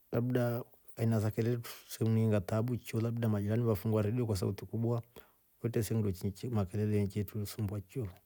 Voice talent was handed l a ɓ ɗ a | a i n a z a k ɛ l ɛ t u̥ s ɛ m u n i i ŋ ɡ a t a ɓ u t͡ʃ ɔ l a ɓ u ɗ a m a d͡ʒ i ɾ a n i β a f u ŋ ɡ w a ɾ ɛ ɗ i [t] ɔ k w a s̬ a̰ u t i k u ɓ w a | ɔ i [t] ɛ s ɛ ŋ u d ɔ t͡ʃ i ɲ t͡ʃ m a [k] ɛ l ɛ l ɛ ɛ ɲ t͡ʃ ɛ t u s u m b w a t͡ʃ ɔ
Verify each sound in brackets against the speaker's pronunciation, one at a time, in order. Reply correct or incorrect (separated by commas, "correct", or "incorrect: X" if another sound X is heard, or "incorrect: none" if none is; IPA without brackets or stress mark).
incorrect: none, correct, correct